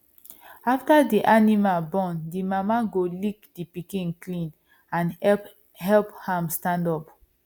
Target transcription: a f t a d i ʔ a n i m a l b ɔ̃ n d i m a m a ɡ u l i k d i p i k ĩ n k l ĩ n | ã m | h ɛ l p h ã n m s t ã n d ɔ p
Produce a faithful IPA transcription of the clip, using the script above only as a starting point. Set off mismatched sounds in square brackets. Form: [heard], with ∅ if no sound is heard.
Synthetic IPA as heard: a f t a d i ʔ a n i m a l b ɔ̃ n d i m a m a ɡ [o] l i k d i p i k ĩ n k l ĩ n | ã [n] | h ɛ l p h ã [∅] m s t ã n d ɔ p